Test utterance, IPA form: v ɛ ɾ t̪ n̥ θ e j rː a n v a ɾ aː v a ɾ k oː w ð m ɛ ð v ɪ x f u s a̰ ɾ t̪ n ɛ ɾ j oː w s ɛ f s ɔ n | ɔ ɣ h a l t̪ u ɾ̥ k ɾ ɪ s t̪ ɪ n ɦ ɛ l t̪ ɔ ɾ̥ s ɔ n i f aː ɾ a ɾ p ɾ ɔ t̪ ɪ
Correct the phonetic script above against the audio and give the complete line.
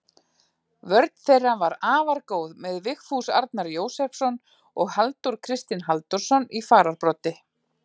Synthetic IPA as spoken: v œ ɾ t̪ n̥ θ e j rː a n v a ɾ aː v a ɾ k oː w ð m ɛ ð v ɪ x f u s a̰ ɾ t̪ n a ɾ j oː w s ɛ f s ɔ n | ɔ ɣ h a l t̪ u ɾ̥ kʰ ɾ ɪ s t̪ ɪ n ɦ a l t̪ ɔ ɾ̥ s ɔ n i f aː ɾ a ɾ p ɾ ɔ t̪ ɪ